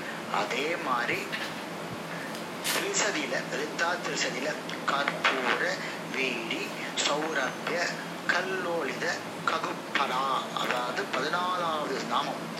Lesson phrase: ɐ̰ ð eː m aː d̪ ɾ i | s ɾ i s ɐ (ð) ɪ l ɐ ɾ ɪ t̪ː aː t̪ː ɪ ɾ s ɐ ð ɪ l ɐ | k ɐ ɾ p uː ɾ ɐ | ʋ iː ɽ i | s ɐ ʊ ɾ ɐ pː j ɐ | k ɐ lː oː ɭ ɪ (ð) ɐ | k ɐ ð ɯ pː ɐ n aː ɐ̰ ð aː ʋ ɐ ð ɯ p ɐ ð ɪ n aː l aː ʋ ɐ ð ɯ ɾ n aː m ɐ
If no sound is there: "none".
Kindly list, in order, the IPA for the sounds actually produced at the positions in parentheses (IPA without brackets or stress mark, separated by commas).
ð, ð